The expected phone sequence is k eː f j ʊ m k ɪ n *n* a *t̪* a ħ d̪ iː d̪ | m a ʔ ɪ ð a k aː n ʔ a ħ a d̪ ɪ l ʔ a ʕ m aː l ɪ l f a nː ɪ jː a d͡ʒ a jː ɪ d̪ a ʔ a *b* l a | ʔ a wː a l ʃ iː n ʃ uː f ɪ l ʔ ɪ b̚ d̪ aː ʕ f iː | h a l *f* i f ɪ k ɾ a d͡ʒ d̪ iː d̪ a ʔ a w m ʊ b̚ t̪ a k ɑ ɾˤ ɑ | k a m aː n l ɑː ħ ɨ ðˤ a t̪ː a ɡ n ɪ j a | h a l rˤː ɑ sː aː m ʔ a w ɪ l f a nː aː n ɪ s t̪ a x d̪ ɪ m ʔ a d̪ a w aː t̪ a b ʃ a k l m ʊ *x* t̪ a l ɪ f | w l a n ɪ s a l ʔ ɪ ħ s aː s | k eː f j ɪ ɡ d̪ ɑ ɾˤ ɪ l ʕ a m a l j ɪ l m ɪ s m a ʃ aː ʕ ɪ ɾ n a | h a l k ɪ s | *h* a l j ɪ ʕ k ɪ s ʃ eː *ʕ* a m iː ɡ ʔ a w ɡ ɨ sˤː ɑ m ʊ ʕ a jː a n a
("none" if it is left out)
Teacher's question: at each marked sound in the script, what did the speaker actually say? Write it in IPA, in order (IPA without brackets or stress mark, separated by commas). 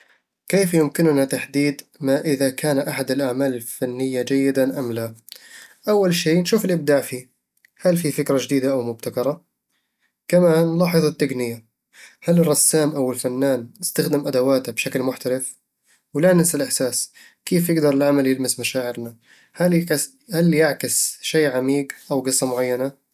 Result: n, t̪, m, f, ħ, h, ʕ